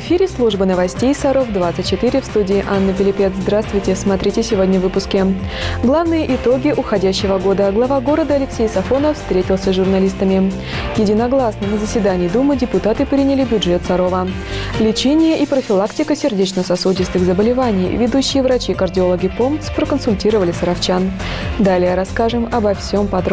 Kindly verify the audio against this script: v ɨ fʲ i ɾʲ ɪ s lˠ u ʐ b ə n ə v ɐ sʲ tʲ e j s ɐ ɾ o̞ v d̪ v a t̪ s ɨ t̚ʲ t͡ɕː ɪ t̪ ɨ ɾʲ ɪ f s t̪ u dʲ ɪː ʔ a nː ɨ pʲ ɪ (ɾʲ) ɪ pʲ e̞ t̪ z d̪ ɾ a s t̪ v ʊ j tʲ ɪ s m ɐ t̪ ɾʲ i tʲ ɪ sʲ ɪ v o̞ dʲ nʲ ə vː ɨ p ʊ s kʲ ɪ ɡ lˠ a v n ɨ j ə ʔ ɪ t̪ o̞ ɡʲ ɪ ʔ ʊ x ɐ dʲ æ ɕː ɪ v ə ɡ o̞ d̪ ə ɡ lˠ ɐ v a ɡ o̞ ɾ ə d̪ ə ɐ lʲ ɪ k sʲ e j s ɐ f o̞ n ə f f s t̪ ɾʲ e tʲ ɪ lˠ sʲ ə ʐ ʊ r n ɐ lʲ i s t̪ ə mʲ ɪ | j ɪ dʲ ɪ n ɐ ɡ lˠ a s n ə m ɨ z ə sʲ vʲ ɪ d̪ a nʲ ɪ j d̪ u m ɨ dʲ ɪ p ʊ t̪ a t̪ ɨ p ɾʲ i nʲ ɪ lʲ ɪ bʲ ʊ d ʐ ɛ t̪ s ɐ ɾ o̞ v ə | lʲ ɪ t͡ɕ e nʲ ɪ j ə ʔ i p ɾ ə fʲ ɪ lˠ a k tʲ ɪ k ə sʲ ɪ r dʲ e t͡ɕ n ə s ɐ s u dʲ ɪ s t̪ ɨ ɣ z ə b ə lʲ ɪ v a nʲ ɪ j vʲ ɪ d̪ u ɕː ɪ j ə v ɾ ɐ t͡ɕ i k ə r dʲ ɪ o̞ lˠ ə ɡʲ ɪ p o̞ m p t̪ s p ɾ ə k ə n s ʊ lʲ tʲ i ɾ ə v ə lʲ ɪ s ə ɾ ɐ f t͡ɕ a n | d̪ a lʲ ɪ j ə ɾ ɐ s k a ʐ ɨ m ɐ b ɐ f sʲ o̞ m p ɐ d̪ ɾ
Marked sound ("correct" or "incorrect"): incorrect